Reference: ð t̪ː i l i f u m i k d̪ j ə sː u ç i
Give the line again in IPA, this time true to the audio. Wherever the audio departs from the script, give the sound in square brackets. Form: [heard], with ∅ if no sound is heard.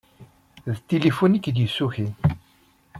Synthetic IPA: ð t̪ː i l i f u [n] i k d̪ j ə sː u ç i